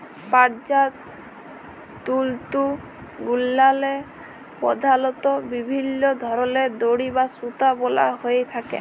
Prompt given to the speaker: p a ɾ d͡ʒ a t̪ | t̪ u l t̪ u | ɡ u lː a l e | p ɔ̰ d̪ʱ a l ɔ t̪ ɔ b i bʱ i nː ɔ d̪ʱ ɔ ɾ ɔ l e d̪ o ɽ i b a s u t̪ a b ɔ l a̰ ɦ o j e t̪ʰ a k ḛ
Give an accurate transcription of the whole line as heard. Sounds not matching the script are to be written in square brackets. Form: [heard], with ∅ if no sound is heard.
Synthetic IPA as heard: p a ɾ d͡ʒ a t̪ | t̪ u l t̪ u | ɡ u lː a l e | p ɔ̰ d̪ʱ a l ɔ t̪ ɔ b i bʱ i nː ɔ d̪ʱ ɔ ɾ ɔ l e d̪ o ɽ i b a s u t̪ a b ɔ l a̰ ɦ o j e t̪ʰ a k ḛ